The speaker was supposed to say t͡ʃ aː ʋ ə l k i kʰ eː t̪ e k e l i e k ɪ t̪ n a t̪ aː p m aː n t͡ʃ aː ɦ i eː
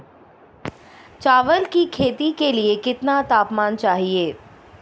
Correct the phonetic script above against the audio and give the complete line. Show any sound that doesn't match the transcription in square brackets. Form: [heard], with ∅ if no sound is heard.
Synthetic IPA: t͡ʃ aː ʋ ə l k i kʰ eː t̪ [i] k e l i e k ɪ t̪ n a t̪ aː p m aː n t͡ʃ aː ɦ i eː